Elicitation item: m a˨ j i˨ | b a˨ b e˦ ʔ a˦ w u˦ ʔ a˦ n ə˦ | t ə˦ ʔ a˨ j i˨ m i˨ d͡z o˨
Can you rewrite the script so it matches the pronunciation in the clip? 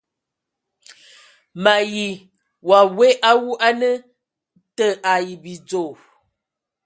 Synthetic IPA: m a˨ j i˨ | w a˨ w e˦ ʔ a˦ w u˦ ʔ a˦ n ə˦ | t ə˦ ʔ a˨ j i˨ b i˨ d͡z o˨